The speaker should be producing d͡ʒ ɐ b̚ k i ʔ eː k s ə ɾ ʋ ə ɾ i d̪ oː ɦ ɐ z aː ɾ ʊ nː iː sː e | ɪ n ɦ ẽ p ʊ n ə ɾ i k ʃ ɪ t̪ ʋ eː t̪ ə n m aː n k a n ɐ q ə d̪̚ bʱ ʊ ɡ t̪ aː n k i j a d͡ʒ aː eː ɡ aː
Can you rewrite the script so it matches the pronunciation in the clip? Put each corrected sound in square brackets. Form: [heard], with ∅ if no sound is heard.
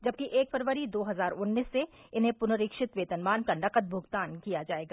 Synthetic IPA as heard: d͡ʒ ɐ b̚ k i ʔ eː k [f] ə ɾ ʋ ə ɾ i d̪ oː ɦ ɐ z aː ɾ ʊ nː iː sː e | ɪ n ɦ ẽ p ʊ n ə ɾ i k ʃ ɪ t̪ ʋ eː t̪ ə n m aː n k a n ɐ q ə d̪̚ bʱ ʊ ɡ t̪ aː n k i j a d͡ʒ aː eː ɡ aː